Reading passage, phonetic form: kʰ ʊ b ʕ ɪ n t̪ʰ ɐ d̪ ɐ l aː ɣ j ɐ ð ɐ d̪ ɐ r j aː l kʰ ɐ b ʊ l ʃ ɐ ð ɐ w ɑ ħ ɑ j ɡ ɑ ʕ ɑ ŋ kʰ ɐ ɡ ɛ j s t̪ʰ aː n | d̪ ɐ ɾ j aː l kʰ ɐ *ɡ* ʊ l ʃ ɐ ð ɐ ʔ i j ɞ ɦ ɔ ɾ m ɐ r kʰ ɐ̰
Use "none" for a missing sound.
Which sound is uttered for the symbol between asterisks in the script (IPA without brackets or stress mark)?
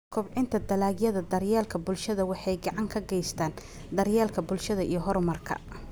b